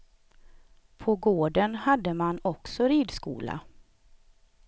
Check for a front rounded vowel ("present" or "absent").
absent